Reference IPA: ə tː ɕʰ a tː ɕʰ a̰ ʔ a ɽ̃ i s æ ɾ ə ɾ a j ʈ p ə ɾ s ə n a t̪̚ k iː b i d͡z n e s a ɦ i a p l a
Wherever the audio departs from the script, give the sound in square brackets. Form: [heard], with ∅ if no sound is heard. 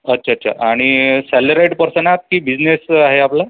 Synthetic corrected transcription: ə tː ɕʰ a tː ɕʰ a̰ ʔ a ɽ̃ i s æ [l] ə ɾ a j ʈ p ə ɾ s ə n a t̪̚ k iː b i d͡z n e s a ɦ [e] a p l a